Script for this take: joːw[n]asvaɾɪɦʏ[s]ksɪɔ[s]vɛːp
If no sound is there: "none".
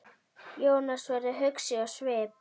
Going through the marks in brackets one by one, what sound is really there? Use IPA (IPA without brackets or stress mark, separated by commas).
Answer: n, none, s